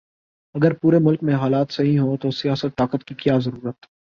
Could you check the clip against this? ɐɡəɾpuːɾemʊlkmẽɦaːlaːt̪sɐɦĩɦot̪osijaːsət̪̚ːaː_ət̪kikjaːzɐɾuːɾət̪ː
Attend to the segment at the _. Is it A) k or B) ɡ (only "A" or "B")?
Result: A